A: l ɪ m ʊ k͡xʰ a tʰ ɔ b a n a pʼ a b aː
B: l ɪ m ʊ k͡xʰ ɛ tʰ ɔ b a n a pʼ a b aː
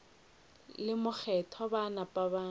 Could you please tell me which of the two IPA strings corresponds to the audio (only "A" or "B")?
B